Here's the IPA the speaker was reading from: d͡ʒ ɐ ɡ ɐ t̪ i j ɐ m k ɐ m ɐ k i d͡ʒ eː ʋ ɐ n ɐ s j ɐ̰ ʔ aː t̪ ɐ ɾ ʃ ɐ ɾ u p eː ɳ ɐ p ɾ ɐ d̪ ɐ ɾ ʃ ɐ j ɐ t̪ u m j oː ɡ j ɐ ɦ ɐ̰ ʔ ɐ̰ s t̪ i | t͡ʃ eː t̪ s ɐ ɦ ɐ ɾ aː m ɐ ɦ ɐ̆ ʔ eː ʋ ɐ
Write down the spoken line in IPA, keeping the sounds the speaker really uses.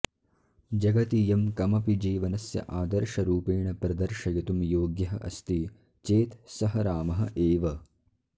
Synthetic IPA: d͡ʒ ɐ ɡ ɐ t̪ i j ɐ m k ɐ m ɐ p i d͡ʒ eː ʋ ɐ n ɐ s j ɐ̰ ʔ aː d̪ ɐ ɾ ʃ ɐ ɾ uː p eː ɳ ɐ p ɾ ɐ d̪ ɐ ɾ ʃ ɐ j ɐ t̪ u m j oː ɡ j ɐ ɦ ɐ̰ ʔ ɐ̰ s t̪ i | t͡ʃ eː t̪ s ɐ ɦ ɐ ɾ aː m ɐ ɦ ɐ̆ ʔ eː ʋ ɐ